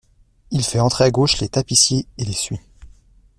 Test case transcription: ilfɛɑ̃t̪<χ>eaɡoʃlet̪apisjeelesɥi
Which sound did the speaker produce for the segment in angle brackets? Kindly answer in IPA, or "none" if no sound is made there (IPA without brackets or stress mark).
χ